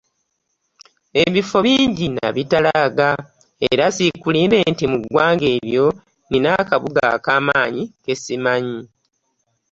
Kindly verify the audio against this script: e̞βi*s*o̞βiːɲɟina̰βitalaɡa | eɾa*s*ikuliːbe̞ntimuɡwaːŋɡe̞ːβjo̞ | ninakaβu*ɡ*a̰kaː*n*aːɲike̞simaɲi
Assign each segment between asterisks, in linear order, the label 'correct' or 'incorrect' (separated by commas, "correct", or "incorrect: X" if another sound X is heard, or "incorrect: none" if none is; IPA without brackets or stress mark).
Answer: incorrect: f, correct, correct, incorrect: m